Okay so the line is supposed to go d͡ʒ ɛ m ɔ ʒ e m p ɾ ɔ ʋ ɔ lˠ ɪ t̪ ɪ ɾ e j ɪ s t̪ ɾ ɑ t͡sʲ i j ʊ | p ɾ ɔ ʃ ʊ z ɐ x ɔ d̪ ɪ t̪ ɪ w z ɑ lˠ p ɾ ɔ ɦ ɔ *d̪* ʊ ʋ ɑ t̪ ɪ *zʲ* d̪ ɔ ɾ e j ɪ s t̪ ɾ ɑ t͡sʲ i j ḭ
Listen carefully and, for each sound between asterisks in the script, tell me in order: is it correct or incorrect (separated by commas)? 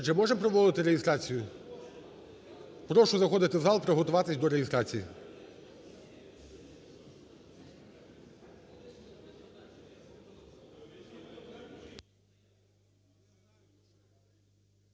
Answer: incorrect, incorrect